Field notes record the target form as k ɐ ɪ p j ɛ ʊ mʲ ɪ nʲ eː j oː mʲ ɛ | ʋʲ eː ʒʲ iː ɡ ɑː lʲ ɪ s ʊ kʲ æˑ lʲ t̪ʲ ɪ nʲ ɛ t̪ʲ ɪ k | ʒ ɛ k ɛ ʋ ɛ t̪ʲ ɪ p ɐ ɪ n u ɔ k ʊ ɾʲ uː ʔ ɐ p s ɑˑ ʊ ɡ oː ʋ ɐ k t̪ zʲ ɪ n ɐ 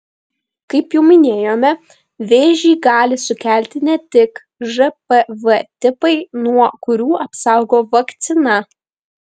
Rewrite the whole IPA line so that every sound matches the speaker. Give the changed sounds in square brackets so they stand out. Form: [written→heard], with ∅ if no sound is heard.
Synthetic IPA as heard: k ɐ ɪ p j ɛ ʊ mʲ ɪ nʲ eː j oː mʲ ɛ | ʋʲ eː ʒʲ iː ɡ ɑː lʲ ɪ s ʊ kʲ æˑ lʲ t̪ʲ ɪ nʲ ɛ t̪ʲ ɪ k | ʒ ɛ [k→p] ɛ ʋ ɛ t̪ʲ ɪ p ɐ ɪ n u ɔ k ʊ ɾʲ uː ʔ ɐ p s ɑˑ ʊ ɡ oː ʋ ɐ k t̪ [zʲ→sʲ] ɪ n ɐ